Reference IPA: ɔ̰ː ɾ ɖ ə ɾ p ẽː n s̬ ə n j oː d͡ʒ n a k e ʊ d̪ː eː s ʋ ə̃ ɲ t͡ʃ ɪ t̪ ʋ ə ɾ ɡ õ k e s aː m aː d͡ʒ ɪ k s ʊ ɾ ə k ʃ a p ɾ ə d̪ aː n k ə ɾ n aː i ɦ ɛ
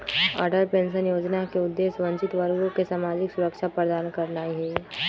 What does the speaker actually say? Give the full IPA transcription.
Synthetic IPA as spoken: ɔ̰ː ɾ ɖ ə ɾ p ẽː n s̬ ə n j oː d͡ʒ n a k e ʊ d̪ː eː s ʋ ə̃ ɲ t͡ʃ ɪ t̪ ʋ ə ɾ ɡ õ k e s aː m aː d͡ʒ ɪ k s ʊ ɾ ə k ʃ a p ɾ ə d̪ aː n k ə ɾ n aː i ɦ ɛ